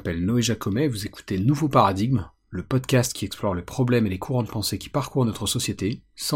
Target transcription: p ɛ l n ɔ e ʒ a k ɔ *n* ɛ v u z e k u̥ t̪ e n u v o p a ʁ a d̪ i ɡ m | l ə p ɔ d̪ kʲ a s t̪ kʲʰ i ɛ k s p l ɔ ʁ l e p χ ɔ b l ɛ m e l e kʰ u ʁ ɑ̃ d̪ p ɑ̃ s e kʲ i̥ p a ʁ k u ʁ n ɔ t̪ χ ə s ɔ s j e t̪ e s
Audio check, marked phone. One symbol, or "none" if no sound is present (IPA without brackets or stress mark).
m